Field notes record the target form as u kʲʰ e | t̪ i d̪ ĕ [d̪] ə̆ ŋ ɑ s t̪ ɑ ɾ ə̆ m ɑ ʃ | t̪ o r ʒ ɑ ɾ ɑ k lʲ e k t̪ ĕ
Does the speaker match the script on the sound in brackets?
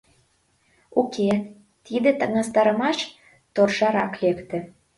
no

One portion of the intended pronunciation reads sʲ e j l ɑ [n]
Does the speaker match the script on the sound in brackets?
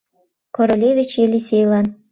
yes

